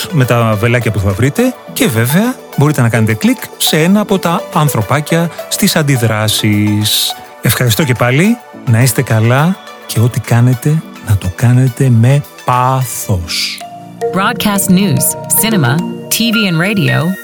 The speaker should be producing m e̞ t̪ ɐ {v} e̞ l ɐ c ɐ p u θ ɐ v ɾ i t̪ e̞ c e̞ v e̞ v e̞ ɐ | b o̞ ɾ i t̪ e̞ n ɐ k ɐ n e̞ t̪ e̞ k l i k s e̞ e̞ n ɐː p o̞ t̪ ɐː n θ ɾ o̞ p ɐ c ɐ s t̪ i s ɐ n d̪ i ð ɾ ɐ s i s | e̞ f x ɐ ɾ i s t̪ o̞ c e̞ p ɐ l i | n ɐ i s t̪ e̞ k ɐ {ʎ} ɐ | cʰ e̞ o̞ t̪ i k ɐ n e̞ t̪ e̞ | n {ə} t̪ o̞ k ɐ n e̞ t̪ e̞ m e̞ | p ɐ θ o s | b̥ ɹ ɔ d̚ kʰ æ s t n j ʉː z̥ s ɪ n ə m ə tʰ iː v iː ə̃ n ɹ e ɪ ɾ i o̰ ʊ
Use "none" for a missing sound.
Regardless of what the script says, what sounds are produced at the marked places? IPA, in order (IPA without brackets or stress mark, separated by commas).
v, l, ɐ